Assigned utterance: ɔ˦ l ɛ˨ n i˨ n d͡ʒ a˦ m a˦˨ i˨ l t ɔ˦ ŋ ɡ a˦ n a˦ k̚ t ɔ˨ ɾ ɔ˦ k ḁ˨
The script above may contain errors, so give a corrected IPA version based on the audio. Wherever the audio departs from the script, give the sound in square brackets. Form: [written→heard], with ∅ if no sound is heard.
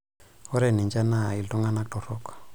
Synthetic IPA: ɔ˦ [l→ɾ] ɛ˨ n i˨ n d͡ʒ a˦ [m→n] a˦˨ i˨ l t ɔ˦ ŋ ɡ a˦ n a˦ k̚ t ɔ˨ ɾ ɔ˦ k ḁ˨